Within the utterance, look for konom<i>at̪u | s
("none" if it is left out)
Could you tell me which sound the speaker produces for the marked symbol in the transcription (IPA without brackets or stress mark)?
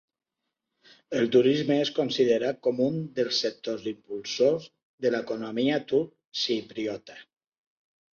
i